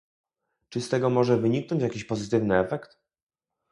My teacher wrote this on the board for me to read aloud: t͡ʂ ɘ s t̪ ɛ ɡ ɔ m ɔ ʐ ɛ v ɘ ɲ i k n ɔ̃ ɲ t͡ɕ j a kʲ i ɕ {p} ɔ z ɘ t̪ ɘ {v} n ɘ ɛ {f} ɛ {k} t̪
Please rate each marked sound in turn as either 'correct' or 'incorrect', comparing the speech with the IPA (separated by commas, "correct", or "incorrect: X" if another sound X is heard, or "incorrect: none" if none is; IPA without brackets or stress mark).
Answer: correct, correct, correct, correct